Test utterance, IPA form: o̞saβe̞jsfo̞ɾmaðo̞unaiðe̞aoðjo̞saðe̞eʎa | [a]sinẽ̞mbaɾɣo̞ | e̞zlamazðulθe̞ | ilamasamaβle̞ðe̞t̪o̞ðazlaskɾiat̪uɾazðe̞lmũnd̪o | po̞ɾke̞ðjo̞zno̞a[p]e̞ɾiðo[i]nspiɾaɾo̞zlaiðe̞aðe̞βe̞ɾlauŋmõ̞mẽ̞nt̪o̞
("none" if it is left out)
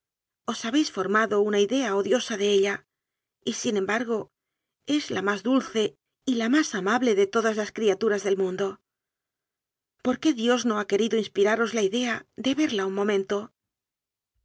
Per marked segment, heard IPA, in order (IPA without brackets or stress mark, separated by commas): i, k, i